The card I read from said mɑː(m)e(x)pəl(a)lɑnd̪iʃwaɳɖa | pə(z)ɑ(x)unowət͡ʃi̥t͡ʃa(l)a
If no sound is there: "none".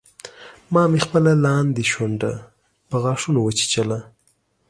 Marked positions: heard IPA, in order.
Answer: m, x, a, ɣ, ʂ, l

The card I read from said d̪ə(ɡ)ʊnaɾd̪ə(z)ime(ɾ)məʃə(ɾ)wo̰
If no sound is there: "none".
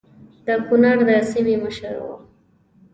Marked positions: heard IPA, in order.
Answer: k, s, none, ɾ

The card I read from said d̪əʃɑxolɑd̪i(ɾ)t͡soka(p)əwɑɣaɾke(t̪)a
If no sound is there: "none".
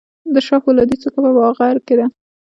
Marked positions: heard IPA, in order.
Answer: none, p, d̪

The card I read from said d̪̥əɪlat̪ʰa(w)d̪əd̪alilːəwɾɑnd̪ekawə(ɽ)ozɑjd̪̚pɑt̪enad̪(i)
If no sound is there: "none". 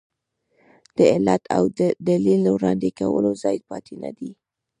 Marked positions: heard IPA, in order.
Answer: w, l, i

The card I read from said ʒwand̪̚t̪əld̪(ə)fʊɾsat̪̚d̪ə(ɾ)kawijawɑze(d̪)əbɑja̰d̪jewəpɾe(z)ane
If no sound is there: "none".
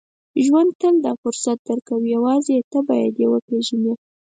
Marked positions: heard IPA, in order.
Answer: ɑ, ɾ, t̪, ʒ

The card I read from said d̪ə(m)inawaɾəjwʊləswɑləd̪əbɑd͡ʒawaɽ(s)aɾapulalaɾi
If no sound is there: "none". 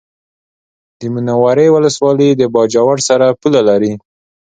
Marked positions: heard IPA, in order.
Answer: m, s

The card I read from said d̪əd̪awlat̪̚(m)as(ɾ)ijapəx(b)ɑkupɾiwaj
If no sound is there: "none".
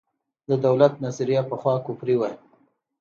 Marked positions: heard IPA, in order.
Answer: n, ɾ, w

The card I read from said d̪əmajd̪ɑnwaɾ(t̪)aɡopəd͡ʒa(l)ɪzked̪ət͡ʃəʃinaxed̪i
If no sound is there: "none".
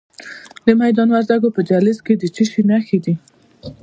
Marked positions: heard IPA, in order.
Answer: d̪, l

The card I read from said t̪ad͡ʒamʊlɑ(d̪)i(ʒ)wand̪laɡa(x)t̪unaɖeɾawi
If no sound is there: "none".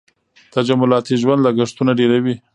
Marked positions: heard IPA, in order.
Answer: t̪, ʒ, ʂ

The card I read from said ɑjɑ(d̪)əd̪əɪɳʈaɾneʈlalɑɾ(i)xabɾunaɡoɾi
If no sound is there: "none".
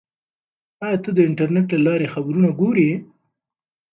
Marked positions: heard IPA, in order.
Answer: t̪, e

